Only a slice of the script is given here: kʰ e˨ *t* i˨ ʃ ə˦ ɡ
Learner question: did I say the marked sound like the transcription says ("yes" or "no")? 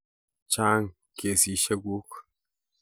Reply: no